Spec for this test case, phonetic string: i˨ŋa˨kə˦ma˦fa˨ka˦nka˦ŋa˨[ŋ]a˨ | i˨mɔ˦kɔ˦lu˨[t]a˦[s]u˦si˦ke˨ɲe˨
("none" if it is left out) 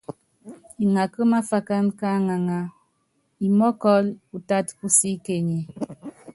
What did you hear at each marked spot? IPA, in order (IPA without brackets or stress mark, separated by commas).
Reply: ŋ, t, t